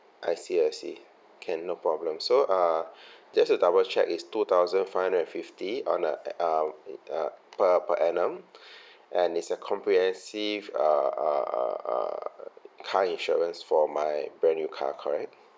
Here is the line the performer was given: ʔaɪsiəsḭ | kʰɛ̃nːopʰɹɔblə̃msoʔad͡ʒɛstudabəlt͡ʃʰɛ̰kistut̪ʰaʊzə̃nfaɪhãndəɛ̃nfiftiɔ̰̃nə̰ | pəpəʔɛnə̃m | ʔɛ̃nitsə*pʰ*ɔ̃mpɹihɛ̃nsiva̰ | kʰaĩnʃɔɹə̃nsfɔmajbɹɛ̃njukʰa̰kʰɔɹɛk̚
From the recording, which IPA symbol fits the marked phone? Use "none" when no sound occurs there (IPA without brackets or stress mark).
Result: kʰ